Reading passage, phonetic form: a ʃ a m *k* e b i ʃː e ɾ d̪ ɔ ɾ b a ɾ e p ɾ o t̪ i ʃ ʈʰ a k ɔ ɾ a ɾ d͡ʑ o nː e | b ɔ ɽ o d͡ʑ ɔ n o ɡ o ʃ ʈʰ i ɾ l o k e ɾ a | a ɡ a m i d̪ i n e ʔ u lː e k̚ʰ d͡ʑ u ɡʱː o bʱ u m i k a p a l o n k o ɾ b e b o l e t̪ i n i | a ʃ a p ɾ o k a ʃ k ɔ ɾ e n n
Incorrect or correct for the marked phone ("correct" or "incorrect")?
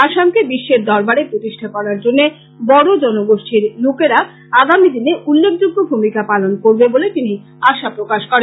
correct